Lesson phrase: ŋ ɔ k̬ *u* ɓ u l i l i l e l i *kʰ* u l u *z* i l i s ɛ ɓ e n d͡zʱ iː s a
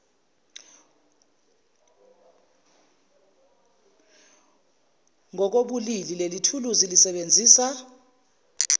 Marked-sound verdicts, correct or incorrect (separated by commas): incorrect, incorrect, correct